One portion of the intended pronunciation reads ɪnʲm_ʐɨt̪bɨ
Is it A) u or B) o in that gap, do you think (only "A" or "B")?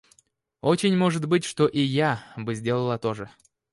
B